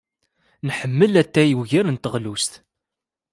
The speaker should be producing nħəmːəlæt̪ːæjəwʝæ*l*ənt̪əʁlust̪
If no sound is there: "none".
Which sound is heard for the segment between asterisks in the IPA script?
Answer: ɾ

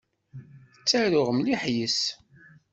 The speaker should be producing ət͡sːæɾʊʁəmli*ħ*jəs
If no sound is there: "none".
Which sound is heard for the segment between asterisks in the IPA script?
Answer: ħ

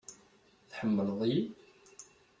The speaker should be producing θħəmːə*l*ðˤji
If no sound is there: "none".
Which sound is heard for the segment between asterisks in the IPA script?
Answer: l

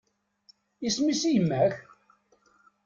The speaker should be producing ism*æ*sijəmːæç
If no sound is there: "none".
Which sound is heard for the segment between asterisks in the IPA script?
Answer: i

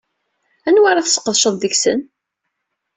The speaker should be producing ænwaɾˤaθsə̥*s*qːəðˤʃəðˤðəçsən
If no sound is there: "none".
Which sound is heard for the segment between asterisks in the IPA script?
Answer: none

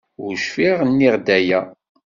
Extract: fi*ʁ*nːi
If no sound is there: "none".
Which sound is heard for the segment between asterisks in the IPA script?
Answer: ʁ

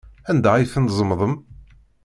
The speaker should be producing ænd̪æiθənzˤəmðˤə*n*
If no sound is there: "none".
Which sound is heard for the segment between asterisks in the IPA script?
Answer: m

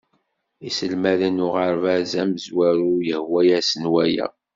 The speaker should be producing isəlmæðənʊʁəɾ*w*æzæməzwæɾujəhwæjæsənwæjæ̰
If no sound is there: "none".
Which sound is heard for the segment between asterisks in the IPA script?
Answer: v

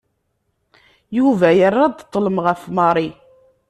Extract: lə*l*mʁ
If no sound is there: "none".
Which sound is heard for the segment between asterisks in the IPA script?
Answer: none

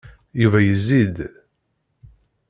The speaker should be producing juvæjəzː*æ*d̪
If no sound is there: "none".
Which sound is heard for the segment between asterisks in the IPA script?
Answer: i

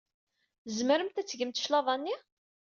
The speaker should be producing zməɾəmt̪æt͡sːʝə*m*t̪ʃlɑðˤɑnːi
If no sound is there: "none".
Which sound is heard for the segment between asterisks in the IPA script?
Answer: m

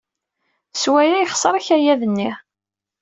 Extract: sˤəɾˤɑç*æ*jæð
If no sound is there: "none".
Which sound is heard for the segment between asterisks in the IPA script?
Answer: æ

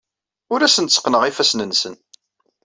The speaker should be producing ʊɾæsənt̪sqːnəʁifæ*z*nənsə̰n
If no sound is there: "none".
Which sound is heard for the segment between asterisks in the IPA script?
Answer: s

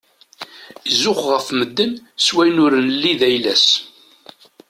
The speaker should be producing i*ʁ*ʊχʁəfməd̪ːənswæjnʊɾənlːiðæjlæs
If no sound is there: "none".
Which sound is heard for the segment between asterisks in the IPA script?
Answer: z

